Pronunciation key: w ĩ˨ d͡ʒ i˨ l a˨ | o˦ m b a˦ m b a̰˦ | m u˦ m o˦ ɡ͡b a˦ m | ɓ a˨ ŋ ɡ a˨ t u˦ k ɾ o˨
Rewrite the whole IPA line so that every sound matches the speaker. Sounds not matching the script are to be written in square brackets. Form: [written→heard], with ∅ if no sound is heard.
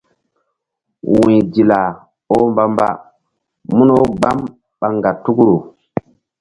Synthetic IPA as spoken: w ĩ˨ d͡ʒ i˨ l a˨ | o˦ m b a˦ m b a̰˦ | m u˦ [m→n] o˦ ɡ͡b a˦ m | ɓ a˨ ŋ ɡ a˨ t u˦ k ɾ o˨